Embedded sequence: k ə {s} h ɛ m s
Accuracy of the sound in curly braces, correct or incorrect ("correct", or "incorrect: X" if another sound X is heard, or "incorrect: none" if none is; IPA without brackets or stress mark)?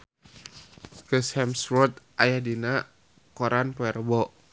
correct